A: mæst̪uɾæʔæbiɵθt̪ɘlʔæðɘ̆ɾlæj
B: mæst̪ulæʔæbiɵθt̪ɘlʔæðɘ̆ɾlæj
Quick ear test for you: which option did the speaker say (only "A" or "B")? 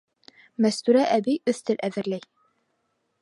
A